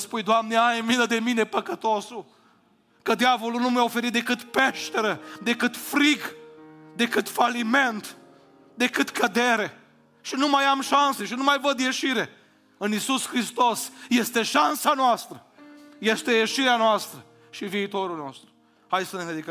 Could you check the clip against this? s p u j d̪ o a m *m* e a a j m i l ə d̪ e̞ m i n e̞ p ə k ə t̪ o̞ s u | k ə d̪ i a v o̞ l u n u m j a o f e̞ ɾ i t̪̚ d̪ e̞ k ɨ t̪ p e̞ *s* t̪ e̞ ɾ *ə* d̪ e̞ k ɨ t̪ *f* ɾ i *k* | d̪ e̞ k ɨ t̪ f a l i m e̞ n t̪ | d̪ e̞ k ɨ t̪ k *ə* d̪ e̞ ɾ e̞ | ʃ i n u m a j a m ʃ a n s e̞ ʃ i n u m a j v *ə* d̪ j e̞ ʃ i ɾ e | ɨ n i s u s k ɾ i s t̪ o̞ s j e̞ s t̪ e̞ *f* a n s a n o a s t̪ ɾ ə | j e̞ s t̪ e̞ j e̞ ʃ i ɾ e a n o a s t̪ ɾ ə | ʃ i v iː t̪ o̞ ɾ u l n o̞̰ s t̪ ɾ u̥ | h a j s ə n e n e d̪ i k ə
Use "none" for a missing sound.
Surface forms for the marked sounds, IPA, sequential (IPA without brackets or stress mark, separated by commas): n, ʃ, ə, f, ɡ, ə, ə, ʃ